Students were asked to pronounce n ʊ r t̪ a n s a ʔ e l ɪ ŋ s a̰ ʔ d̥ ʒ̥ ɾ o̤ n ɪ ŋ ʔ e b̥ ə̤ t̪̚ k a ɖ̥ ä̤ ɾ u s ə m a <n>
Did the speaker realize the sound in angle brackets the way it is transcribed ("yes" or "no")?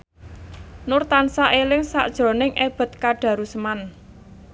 yes